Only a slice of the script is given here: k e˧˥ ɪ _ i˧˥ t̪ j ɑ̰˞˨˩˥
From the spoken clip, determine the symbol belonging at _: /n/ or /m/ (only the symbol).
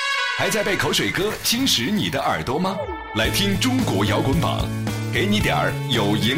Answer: n